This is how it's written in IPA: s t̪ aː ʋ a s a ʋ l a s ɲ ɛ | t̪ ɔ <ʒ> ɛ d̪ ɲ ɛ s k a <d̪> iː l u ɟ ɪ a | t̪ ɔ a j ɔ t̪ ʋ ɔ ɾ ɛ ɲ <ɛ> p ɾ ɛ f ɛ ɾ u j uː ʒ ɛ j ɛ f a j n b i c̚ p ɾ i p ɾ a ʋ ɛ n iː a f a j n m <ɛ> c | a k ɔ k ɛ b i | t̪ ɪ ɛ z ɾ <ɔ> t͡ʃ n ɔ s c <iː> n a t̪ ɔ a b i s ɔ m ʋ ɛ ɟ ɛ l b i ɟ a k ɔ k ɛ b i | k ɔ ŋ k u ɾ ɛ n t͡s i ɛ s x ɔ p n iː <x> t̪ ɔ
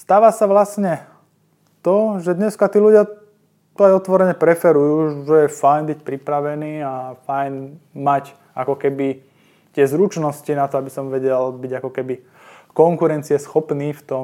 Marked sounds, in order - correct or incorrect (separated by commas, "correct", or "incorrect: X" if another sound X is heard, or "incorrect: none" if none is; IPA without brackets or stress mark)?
correct, incorrect: t̪, correct, incorrect: a, incorrect: u, incorrect: i, incorrect: f